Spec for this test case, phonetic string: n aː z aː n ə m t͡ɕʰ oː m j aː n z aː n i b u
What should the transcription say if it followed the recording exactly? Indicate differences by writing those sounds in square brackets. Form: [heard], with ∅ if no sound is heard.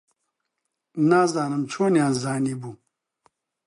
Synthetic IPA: n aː z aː n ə m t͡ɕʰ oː [n] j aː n z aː n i b u